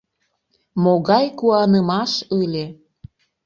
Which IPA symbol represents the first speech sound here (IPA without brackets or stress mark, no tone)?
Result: m